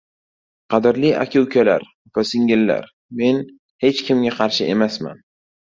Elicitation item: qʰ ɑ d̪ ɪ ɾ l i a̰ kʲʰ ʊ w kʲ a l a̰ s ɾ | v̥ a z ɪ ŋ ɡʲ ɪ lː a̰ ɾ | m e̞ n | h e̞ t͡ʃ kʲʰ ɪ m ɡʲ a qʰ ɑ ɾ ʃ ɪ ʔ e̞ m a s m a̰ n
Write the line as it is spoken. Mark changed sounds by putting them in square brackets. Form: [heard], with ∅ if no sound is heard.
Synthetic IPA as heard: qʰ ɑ d̪ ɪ ɾ l i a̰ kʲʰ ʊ w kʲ a l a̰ [∅] ɾ | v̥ a [s] ɪ ŋ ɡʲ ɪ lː a̰ ɾ | m e̞ n | h e̞ t͡ʃ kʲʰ ɪ m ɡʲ a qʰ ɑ ɾ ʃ ɪ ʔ e̞ m a s m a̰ n